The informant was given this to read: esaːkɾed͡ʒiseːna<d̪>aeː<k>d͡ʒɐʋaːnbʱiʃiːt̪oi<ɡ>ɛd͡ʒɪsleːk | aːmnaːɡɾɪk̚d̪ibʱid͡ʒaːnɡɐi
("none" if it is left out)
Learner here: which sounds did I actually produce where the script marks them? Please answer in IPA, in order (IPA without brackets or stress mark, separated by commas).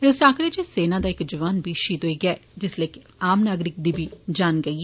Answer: d̪, k, ɡ